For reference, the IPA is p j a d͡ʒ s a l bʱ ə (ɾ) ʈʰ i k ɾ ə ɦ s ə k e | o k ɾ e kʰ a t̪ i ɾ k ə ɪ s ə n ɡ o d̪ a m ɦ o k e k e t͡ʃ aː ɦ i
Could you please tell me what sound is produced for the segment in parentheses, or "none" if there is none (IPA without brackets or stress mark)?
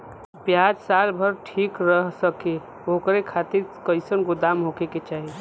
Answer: ɾ